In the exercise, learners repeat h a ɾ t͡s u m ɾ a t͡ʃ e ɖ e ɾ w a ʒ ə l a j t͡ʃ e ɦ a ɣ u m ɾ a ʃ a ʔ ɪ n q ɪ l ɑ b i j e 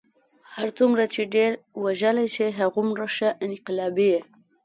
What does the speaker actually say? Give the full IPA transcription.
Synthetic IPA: h a ɾ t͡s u m ɾ a t͡ʃ e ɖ e ɾ w a ʒ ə l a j t͡ʃ e ɦ a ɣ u m ɾ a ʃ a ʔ ɪ n q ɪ l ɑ b i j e